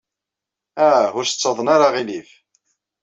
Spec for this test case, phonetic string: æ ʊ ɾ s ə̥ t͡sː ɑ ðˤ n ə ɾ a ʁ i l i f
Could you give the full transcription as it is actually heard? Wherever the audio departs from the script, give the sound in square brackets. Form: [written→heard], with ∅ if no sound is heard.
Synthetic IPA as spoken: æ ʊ ɾ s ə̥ t͡sː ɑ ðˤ n [ə→a] ɾ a ʁ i l i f